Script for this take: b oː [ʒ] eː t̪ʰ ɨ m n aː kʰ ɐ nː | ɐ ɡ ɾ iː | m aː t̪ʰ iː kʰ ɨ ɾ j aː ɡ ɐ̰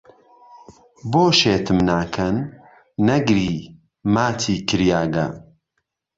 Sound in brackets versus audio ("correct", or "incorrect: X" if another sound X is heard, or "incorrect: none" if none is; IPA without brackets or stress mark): incorrect: ʃ